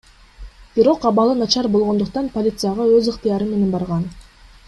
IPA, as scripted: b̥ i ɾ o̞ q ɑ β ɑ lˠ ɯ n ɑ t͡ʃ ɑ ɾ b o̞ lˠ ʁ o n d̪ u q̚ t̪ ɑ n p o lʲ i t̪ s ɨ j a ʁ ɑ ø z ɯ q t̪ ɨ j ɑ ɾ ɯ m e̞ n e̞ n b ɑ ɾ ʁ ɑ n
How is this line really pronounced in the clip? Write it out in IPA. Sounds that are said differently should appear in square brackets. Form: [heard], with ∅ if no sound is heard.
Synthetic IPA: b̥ i ɾ o̞ q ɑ β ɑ lˠ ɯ n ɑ t͡ʃ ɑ ɾ b o̞ lˠ ʁ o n d̪ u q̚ t̪ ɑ n p o lʲ i t̪ s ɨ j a ʁ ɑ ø z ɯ q t̪ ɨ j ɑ ɾ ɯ m e̞ n e̞ n b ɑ ɾ ʁ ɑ n